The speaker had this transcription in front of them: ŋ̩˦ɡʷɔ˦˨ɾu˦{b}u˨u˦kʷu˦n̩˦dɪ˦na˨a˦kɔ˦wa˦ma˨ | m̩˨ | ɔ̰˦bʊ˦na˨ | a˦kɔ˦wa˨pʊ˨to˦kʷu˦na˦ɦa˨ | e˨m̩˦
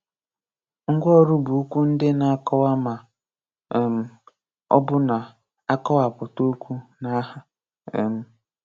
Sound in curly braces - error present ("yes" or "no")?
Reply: no